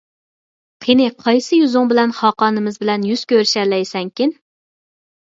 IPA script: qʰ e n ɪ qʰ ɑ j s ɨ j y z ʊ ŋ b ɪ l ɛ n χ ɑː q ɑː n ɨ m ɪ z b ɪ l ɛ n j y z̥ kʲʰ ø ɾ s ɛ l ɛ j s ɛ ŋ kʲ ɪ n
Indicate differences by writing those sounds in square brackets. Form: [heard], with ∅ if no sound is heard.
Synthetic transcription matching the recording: qʰ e n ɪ qʰ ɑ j s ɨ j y z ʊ ŋ b ɪ l ɛ n χ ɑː q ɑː n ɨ m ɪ z b ɪ l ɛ n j y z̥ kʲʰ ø ɾ [ʃ] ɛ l ɛ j s ɛ ŋ kʲ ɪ n